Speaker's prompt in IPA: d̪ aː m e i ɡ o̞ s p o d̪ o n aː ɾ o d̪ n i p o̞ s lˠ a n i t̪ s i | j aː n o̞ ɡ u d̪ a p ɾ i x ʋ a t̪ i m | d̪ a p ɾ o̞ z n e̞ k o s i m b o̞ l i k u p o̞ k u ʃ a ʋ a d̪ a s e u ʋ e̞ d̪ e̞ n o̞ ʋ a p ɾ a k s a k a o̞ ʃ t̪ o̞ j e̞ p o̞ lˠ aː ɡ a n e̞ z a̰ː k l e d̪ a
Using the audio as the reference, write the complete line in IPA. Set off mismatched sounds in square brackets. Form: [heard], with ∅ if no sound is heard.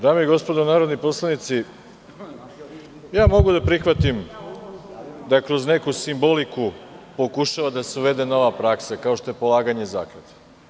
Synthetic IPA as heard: d̪ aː m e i ɡ o̞ s p o d̪ o n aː ɾ o d̪ n i p o̞ s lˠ a n i t̪ s i | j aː [m] o̞ ɡ u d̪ a p ɾ i x ʋ a t̪ i m | d̪ a [k] ɾ o̞ z n e̞ k [u] s i m b o̞ l i k u p o̞ k u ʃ a ʋ a d̪ a s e u ʋ e̞ d̪ e̞ n o̞ ʋ a p ɾ a k s a k a o̞ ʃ t̪ o̞ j e̞ p o̞ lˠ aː ɡ a [ɲ] e̞ z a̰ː k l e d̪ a

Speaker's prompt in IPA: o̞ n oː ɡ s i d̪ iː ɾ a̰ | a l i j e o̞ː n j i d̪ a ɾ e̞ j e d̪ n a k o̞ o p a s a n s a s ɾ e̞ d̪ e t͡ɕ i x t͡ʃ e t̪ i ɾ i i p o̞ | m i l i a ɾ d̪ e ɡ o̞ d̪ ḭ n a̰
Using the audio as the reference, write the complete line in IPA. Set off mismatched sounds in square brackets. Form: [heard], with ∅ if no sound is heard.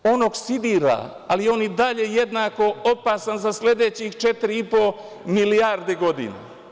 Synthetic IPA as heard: o̞ n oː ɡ s i d̪ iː ɾ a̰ | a l i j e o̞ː n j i d̪ a [ʎ] e̞ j e d̪ n a k o̞ o p a s a n [z] a s [l] e̞ d̪ e t͡ɕ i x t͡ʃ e t̪ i ɾ i i p o̞ | m i l i a ɾ d̪ e ɡ o̞ d̪ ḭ n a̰

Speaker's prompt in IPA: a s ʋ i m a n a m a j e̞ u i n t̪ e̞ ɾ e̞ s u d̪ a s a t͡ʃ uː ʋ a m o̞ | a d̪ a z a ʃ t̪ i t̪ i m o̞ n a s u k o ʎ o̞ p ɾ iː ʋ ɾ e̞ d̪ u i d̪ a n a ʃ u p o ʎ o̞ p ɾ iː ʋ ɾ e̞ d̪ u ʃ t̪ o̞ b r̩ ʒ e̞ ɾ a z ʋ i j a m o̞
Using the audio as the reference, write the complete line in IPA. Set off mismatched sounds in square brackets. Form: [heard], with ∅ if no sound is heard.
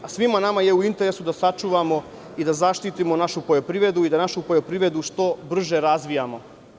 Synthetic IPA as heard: a s ʋ i m a n a m a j e̞ u i n t̪ e̞ ɾ e̞ s u d̪ a s a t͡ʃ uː ʋ a m o̞ | [i] d̪ a z a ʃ t̪ i t̪ i m o̞ n a [ʃ] u [p] o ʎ o̞ p ɾ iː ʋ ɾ e̞ d̪ u i d̪ a n a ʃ u p o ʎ o̞ p ɾ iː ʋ ɾ e̞ d̪ u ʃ t̪ o̞ b r̩ ʒ e̞ ɾ a z ʋ i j a m o̞

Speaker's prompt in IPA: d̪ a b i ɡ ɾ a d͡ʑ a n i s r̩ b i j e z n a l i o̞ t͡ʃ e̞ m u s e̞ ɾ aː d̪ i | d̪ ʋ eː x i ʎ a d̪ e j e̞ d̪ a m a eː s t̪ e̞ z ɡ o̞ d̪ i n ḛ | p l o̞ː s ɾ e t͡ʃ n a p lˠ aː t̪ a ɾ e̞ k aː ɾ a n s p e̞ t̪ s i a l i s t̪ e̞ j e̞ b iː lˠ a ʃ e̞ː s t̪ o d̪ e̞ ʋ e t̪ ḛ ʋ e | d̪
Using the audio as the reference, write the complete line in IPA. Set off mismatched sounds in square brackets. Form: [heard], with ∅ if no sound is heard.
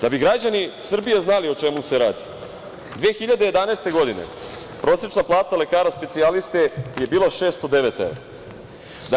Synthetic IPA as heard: d̪ a b i ɡ ɾ a d͡ʑ a n i s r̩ b i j e z n a l i o̞ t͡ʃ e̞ m u s e̞ ɾ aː d̪ i | d̪ ʋ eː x i ʎ a d̪ e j e̞ d̪ a [n] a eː s t̪ e̞ [∅] ɡ o̞ d̪ i n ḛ | p [ɾ] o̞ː s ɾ e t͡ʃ n a p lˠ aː t̪ a [l] e̞ k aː ɾ a [∅] s p e̞ t̪ s i a l i s t̪ e̞ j e̞ b iː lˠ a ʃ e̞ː s t̪ o d̪ e̞ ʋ e t̪ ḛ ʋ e | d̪

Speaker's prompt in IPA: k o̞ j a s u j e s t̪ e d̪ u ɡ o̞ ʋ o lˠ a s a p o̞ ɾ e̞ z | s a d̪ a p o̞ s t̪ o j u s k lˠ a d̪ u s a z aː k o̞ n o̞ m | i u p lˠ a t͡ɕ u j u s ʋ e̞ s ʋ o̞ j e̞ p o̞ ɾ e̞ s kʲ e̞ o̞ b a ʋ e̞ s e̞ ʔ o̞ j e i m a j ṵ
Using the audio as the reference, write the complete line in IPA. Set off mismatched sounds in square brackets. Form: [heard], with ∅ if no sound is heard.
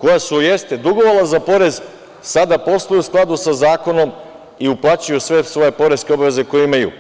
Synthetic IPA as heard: k o̞ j a s u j e s t̪ e d̪ u ɡ o̞ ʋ o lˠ a [z] a p o̞ ɾ e̞ z | s a d̪ a p o̞ s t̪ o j u s k lˠ a d̪ u s a z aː k o̞ n o̞ m | i u p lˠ a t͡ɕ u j u s ʋ e̞ s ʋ o̞ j e̞ p o̞ ɾ e̞ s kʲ e̞ o̞ b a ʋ e̞ [z] e̞ [k] o̞ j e i m a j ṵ

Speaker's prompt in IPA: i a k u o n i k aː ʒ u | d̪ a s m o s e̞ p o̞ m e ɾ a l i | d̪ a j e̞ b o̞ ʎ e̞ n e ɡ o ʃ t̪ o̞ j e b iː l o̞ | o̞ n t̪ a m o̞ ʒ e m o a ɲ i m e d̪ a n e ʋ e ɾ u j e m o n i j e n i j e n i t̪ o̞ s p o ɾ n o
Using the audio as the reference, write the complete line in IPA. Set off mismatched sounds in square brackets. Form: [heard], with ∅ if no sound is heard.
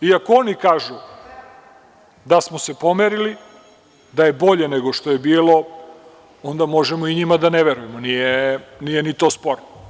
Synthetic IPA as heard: i a k [o] o n i k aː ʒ u | d̪ a s m o s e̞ p o̞ m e ɾ [i] l i | d̪ a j e̞ b o̞ ʎ e̞ n e ɡ o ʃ t̪ o̞ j e b iː l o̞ | o̞ n [d̪] a m o̞ ʒ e m o [i] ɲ i m [a] d̪ a n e ʋ e ɾ u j e m o n i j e n i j e n i t̪ o̞ s p o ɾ n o

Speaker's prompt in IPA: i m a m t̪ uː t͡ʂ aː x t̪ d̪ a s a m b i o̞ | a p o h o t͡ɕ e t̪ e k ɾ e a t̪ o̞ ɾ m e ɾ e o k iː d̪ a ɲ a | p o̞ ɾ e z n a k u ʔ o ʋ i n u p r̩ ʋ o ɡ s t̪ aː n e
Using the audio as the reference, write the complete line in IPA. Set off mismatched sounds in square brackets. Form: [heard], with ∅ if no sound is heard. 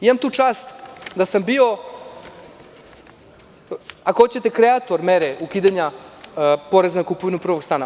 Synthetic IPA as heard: i m a m t̪ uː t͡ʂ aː [s] t̪ d̪ a s a m b i o̞ | a [k] o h o t͡ɕ e t̪ e k ɾ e a t̪ o̞ ɾ m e ɾ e [u] k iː d̪ a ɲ a | p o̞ ɾ e z n a k u [p] o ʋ i n u p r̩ ʋ o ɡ s t̪ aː n [a]

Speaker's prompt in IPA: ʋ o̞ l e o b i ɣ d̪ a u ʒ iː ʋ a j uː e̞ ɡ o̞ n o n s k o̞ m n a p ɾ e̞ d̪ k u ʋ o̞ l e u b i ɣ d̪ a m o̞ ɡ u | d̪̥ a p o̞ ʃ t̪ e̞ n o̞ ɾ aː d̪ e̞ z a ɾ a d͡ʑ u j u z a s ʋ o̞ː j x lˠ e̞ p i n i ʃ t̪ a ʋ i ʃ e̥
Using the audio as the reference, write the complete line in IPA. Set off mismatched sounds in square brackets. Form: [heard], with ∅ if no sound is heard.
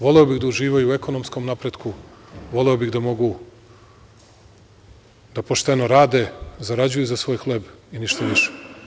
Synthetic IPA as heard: ʋ o̞ l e o b i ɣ d̪ a u ʒ iː ʋ a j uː e̞ [k] o̞ n o [m] s k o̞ m n a p ɾ e̞ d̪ k u ʋ o̞ l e [o] b i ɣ d̪ a m o̞ ɡ u | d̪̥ a p o̞ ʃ t̪ e̞ n o̞ ɾ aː d̪ e̞ z a ɾ a d͡ʑ u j u z a s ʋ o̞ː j x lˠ e̞ [b] i n i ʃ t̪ a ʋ i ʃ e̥

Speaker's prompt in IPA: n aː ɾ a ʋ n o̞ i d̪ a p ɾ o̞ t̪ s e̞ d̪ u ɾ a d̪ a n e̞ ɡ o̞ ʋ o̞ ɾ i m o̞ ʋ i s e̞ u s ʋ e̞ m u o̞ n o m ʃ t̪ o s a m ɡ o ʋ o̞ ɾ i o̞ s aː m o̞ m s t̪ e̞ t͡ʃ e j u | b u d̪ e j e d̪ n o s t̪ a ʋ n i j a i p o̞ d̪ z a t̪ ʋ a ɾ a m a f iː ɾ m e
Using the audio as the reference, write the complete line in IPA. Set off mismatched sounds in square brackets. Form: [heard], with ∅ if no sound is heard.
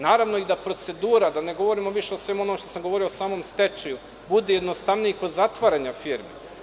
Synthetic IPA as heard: n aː ɾ a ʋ n o̞ i d̪ a p ɾ o̞ t̪ s e̞ d̪ [uː] ɾ a d̪ a n e̞ ɡ o̞ ʋ o̞ ɾ i m o̞ ʋ i [ʃ] e̞ [o] s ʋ e̞ m u o̞ n o m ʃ t̪ o s a m ɡ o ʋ o̞ ɾ i o̞ s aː m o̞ m s t̪ e̞ t͡ʃ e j u | b u d̪ e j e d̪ n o s t̪ a ʋ n i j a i [k] o̞ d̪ z a t̪ ʋ a ɾ a [ɲ] a f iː ɾ m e

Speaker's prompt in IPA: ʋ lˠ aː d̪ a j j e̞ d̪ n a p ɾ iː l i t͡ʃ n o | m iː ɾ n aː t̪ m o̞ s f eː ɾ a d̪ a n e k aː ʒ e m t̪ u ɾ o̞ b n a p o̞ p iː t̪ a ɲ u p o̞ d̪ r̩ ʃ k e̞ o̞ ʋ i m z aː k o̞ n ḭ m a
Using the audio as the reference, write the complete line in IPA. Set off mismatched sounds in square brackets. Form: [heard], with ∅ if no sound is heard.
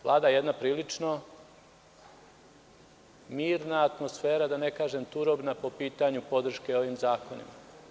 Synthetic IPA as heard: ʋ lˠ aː d̪ a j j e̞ d̪ n a p ɾ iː l i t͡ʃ n o | m iː ɾ n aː t̪ m o̞ s f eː ɾ a d̪ a n e k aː ʒ e m t̪ u ɾ o̞ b n a p o̞ p iː t̪ a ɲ u p o̞ d̪ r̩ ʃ k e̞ o̞ ʋ i m z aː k o̞ n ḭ m a

